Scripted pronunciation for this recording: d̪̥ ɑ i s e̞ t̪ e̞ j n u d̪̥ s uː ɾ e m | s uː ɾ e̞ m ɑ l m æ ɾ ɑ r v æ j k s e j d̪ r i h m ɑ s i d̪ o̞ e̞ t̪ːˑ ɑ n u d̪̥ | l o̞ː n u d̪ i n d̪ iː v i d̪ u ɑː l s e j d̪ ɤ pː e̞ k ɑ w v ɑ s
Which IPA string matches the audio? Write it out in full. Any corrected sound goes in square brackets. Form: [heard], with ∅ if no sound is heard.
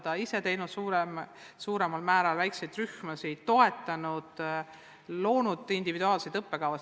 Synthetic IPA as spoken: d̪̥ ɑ i s e̞ t̪ e̞ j n u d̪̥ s uː ɾ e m | s uː ɾ e̞ m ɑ l m [æː] ɾ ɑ [l] v æ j k s e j d̪ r [y] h m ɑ s i [t̪] o̞ e̞ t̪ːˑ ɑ n u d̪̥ | l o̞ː n u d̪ i n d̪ [i] v i d̪ u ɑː l s e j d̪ ɤ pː e̞ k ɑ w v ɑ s